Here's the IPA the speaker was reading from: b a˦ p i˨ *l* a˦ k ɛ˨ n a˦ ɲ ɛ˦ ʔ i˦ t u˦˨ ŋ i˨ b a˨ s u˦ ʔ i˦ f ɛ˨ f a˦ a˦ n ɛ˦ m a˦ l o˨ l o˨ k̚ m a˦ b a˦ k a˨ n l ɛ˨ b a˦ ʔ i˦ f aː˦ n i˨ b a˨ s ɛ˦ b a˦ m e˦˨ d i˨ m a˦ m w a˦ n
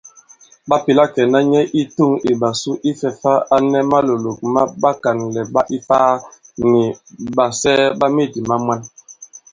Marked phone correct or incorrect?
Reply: correct